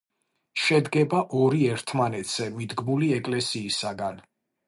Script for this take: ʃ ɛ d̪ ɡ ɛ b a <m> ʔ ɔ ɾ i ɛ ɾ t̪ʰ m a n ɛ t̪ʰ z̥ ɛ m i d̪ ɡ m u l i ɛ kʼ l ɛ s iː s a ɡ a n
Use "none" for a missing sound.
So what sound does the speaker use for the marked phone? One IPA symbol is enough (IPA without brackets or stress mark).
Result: none